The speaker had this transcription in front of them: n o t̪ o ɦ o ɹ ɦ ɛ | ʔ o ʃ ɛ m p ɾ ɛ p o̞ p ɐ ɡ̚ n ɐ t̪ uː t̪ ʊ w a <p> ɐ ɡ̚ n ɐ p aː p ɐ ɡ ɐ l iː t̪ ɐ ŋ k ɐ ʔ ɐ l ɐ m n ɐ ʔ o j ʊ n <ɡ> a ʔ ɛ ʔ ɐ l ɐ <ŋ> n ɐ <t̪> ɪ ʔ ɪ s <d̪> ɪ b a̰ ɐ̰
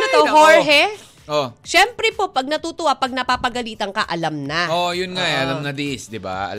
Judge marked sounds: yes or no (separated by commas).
yes, no, no, no, yes